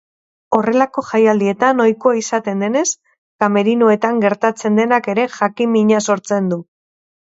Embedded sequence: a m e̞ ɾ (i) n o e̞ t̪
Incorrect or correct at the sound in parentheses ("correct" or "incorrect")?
correct